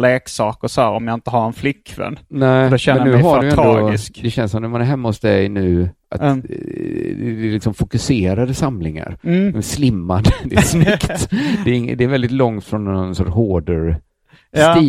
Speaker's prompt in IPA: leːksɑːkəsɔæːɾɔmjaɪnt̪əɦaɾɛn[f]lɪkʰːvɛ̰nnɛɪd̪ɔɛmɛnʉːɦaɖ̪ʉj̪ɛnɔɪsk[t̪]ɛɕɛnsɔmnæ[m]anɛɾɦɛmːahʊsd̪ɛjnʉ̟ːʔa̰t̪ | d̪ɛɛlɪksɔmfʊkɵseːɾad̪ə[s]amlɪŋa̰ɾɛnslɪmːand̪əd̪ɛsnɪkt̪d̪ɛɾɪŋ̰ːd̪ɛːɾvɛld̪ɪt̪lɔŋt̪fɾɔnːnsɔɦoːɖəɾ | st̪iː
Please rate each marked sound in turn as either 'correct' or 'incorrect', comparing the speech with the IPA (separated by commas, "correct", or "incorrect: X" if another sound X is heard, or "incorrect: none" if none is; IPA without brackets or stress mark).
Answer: correct, incorrect: d̪, correct, correct